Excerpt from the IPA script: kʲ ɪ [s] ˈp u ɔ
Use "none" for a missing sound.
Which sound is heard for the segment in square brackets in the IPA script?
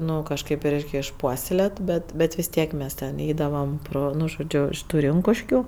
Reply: ʃ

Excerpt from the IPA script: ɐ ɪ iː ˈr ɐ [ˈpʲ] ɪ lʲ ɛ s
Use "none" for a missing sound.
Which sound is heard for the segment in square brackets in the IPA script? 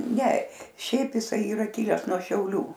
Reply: kʲ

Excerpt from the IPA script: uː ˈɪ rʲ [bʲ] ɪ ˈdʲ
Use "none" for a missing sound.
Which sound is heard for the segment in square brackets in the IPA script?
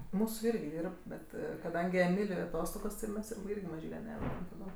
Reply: ɡʲ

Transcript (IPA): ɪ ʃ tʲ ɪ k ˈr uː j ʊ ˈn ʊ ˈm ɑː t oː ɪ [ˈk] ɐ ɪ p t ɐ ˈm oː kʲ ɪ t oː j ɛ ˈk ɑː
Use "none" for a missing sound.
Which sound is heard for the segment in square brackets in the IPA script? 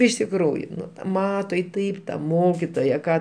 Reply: t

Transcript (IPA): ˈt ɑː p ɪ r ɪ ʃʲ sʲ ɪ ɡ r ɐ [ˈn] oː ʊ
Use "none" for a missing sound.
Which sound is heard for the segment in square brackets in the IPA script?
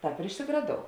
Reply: d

